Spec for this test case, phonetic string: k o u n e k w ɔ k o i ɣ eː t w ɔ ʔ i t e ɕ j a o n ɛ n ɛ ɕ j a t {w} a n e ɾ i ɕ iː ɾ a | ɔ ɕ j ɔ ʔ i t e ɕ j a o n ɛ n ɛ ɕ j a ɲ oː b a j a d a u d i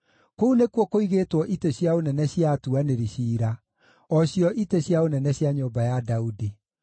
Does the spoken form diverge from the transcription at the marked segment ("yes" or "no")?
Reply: yes